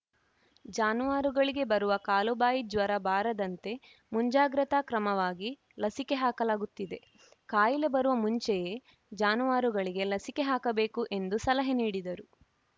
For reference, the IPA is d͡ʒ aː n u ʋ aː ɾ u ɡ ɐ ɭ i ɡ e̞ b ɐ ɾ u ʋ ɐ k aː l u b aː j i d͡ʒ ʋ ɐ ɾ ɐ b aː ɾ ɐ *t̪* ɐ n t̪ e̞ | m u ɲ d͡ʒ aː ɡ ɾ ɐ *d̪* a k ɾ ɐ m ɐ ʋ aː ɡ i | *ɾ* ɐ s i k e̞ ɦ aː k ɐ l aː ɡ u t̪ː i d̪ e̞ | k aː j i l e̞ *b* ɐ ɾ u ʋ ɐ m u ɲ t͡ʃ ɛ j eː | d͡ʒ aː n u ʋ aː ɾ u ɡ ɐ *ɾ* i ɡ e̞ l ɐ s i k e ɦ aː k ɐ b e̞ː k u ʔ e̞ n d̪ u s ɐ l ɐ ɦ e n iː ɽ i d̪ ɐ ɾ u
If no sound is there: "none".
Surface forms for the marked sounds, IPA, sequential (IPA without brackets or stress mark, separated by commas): d̪, t̪, l, b, ɭ